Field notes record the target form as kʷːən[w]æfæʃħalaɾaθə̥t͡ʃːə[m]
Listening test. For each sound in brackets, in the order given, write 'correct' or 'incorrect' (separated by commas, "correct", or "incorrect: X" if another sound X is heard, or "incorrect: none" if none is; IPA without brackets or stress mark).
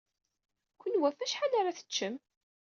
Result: correct, correct